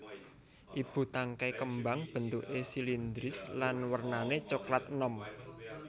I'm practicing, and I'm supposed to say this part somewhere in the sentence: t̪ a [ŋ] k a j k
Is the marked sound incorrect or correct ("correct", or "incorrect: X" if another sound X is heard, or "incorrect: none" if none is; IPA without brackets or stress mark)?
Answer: correct